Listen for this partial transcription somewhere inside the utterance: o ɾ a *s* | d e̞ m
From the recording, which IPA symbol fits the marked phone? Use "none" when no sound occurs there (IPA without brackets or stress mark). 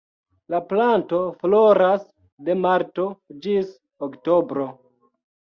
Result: s